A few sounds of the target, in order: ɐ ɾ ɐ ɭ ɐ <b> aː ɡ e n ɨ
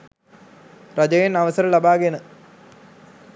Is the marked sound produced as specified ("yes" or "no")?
yes